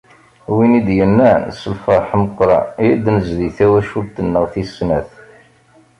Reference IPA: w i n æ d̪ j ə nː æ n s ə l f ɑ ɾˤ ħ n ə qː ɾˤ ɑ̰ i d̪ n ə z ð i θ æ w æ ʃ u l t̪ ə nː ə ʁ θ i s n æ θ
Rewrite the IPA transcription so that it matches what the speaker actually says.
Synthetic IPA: w i n i d̪ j ə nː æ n s ə l f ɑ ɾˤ ħ m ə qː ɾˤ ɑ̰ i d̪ n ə z ð i θ æ w æ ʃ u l t̪ ə nː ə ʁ θ i s n æ θ